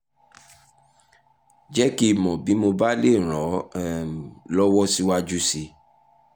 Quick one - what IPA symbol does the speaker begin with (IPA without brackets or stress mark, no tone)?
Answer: d͡ʒ